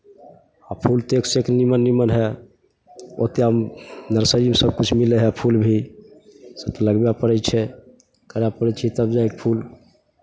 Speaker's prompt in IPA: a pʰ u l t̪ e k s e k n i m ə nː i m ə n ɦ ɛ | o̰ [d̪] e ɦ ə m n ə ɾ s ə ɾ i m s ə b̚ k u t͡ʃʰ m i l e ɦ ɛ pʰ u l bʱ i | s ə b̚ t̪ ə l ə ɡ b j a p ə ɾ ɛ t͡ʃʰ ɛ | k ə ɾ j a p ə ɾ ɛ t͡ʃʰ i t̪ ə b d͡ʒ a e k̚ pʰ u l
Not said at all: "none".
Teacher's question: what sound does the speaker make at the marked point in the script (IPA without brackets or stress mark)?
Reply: t̪